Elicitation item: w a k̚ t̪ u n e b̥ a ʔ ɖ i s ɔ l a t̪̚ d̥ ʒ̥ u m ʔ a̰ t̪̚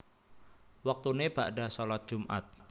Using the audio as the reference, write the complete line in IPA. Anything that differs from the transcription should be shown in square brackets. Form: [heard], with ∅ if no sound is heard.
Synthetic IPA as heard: w a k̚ t̪ u n e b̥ a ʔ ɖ [a] s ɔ l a t̪̚ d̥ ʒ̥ u m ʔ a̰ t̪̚